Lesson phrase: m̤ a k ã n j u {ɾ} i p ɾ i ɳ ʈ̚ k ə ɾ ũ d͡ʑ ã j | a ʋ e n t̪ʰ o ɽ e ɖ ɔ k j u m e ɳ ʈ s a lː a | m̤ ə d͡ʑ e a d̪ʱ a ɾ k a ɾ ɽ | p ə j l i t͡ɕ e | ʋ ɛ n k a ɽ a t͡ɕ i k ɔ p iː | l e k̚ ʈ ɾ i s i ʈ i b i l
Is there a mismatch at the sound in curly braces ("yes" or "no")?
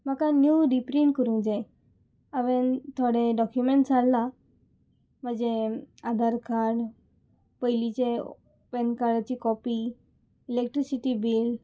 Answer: no